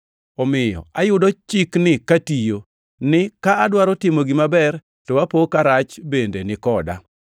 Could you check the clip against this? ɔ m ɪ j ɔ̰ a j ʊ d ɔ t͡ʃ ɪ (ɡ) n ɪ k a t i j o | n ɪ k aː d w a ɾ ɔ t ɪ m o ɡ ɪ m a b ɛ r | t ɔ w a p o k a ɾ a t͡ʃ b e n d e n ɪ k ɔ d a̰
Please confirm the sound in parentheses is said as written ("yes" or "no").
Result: no